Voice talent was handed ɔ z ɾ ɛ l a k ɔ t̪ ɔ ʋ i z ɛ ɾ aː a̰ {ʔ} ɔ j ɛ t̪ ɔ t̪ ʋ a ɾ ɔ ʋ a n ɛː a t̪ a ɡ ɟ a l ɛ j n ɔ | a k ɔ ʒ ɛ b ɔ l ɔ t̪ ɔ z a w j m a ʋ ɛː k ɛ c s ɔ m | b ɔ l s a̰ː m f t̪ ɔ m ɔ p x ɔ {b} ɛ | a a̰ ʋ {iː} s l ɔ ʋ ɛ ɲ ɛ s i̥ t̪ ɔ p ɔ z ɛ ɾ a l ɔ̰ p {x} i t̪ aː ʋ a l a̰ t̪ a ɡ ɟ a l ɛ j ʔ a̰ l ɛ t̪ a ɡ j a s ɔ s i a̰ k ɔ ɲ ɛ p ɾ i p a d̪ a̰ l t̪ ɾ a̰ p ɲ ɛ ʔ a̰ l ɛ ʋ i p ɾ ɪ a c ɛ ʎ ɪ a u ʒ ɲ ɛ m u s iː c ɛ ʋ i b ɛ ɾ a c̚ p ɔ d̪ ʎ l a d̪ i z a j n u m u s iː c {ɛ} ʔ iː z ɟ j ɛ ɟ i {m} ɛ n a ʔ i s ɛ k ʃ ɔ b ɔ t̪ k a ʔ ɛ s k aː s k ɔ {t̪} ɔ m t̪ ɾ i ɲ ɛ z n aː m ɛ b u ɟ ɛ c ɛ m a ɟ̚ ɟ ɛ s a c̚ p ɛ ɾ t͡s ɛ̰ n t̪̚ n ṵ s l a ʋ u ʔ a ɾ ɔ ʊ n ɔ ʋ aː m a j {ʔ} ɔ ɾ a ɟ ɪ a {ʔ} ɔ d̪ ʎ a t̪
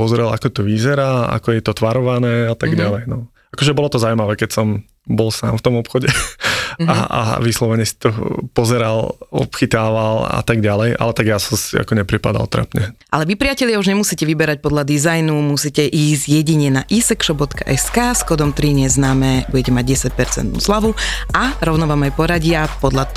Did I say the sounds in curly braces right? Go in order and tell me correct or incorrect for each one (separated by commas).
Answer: incorrect, incorrect, incorrect, correct, correct, incorrect, incorrect, incorrect, incorrect